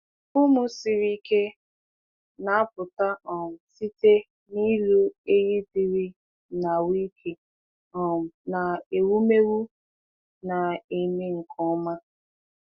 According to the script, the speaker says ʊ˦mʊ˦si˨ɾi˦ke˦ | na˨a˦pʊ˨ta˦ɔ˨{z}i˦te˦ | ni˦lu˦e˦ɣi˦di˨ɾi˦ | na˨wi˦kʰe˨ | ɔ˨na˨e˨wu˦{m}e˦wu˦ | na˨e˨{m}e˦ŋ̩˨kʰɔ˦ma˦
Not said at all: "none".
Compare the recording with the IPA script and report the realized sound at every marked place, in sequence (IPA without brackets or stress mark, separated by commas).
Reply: s, m, m